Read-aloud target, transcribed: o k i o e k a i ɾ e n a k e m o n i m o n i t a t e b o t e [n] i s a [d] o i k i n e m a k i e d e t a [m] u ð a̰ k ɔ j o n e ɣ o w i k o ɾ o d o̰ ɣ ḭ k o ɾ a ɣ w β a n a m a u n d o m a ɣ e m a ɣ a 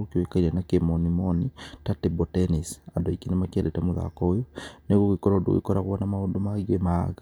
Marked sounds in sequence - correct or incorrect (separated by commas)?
correct, correct, correct